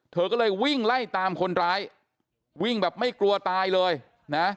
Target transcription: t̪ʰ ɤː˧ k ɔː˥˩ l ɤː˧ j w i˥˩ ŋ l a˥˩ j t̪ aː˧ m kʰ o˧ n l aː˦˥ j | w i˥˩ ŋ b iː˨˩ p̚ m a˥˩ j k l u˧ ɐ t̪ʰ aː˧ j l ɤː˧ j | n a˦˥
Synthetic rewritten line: t̪ʰ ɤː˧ k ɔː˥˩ l ɤː˧ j w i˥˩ ŋ l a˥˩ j t̪ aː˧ m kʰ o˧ n ɾ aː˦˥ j | w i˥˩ ŋ b ɛː˨˩ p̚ m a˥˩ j k l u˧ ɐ t̪ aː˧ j l ɤː˧ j | n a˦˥